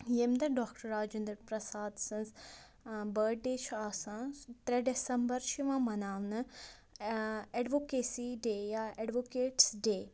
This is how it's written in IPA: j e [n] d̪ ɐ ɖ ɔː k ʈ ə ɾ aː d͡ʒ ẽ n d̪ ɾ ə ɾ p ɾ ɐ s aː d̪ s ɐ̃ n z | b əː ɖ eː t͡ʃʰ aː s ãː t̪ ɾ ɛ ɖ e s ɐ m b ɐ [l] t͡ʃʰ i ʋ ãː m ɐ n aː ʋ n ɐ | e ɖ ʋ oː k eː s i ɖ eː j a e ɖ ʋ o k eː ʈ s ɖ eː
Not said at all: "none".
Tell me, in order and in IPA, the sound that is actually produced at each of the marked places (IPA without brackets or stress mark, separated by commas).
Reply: m, ɾ